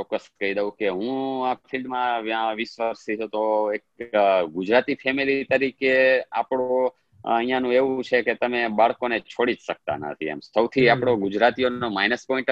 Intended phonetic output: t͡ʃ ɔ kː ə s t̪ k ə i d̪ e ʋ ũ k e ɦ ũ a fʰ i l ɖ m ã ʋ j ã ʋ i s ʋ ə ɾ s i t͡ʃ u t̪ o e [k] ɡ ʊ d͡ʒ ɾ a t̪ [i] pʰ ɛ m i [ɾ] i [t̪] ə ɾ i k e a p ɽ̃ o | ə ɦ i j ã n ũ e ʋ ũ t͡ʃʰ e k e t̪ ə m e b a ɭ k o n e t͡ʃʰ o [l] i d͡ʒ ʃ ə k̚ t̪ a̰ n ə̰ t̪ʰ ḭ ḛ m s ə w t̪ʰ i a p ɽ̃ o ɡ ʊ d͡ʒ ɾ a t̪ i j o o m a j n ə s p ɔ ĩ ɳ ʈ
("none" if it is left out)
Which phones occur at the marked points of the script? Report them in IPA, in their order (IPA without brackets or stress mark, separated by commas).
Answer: k, i, l, t̪, ɽ